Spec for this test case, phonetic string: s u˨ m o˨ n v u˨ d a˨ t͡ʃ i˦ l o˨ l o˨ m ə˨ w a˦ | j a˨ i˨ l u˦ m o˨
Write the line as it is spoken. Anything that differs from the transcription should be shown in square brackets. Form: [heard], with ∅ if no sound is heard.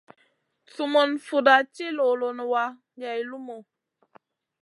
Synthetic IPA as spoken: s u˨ m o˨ n [f] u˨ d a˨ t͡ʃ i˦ l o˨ l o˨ [n] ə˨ w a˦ | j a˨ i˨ l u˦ m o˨

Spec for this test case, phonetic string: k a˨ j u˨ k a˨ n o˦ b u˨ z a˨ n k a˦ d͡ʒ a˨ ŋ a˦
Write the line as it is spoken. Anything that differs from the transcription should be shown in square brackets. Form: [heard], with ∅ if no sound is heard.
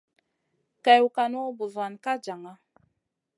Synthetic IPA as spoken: k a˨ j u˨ k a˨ n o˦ b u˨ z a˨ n k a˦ d͡ʒ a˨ ŋ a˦

